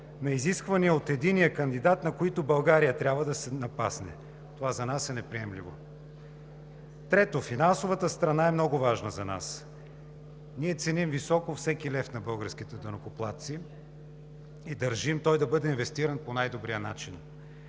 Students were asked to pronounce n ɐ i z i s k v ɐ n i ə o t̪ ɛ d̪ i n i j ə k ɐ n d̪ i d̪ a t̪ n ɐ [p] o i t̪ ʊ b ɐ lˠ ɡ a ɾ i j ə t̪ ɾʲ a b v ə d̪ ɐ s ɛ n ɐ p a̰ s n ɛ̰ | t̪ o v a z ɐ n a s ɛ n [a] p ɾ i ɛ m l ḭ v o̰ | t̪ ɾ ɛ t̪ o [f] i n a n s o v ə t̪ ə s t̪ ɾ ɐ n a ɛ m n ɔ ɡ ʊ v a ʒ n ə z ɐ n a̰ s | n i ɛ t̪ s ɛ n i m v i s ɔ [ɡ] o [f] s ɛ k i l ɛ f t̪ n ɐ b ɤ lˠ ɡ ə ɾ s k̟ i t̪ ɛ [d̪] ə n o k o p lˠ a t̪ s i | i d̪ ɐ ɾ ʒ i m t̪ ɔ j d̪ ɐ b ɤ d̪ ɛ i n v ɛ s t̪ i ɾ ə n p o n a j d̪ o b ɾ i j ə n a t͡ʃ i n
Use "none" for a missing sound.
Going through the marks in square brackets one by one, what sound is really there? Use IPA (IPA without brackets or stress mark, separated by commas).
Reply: k, ɛ, f, k, f, d̪